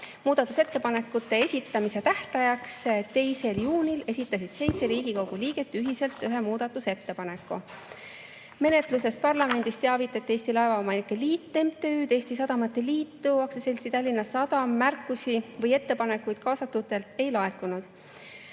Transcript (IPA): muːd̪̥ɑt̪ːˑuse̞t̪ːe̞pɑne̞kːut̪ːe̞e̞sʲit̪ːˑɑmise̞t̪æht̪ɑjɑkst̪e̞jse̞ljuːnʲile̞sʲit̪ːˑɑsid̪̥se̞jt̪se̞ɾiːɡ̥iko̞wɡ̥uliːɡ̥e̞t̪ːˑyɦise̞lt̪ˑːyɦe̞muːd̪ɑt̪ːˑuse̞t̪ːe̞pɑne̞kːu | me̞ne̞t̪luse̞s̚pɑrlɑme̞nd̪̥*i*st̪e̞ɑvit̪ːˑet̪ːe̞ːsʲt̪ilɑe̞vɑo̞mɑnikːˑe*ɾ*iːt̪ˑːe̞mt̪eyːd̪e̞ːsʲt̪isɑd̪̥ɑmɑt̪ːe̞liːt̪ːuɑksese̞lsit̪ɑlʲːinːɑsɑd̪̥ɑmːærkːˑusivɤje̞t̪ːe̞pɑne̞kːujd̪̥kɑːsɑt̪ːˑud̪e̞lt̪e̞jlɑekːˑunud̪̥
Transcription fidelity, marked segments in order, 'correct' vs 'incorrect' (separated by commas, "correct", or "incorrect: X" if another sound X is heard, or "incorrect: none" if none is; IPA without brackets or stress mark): correct, incorrect: l